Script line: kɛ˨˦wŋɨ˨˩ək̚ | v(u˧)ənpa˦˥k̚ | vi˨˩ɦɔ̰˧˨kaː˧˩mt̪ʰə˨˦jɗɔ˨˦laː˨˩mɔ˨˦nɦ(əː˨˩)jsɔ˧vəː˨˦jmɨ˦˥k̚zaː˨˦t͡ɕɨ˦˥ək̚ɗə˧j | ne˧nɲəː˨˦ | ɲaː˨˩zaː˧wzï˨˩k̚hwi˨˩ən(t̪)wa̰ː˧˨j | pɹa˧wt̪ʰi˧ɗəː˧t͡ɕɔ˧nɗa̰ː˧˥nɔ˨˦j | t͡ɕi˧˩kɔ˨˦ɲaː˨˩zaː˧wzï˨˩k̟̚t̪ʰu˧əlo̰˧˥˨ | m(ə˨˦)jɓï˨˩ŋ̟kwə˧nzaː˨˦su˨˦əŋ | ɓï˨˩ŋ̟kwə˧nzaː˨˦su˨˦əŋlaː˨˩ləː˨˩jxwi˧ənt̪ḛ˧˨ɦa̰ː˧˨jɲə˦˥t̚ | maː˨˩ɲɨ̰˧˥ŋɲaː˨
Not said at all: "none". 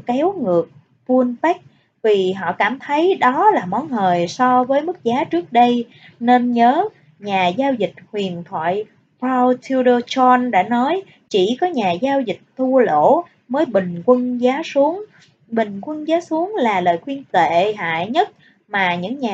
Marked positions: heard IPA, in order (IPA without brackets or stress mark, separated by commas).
u˧, əː˨˩, t̪ʰ, əː˨˦